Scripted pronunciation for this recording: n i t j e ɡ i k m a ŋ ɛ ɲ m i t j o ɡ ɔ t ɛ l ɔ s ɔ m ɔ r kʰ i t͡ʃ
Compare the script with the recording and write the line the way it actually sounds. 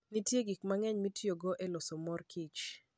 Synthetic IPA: n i t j e ɡ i k m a ŋ ɛ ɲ m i t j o ɡ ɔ ʔ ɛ l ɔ s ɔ m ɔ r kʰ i t͡ʃ